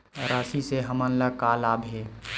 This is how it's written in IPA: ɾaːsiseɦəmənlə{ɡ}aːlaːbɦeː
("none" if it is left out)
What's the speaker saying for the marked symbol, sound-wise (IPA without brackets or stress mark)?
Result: k